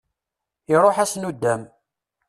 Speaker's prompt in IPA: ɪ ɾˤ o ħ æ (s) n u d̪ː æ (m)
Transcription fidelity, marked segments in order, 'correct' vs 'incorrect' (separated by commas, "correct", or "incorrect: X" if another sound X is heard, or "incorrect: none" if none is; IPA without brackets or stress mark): correct, correct